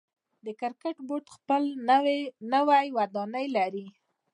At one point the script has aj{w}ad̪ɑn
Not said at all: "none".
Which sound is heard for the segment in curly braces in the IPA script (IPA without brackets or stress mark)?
w